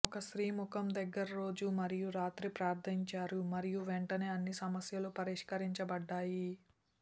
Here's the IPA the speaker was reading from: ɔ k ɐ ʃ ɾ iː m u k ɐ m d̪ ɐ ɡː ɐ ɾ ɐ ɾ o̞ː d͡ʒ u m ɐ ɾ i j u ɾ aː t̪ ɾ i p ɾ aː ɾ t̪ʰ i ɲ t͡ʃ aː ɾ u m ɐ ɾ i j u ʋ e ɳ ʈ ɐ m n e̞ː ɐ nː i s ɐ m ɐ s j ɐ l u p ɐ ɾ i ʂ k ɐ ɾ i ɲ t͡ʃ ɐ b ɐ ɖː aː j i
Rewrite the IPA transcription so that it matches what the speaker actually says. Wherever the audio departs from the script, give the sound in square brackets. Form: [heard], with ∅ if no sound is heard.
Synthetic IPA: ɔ k ɐ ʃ ɾ iː m u k ɐ m d̪ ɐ ɡː ɐ ɾ ɐ ɾ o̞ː d͡ʒ u m ɐ ɾ i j u ɾ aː t̪ ɾ i p ɾ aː ɾ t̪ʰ i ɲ t͡ʃ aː ɾ u m ɐ ɾ i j u ʋ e ɳ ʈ ɐ [∅] n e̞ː ɐ nː i s ɐ m ɐ s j ɐ l u p ɐ ɾ i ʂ k ɐ ɾ i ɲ t͡ʃ ɐ b ɐ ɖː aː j i